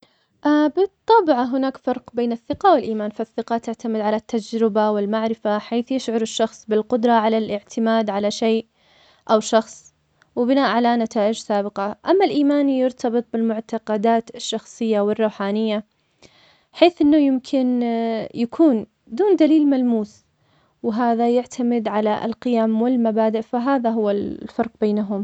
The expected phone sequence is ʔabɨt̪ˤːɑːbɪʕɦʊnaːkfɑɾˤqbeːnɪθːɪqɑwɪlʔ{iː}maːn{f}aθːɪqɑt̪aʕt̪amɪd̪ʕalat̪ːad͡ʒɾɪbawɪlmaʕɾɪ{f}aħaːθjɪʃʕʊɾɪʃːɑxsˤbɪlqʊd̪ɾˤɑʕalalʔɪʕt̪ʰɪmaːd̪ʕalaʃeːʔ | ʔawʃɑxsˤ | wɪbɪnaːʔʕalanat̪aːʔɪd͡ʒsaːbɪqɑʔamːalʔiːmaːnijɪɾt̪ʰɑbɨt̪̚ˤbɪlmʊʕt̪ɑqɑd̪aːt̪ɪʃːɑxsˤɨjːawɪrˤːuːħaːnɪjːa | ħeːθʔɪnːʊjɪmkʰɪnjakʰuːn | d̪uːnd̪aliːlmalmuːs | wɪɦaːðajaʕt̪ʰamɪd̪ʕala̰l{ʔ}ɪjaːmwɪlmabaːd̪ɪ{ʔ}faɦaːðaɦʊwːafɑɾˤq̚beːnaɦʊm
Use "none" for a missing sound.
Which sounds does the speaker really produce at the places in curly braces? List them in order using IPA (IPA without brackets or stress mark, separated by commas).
iː, f, f, q, ʔ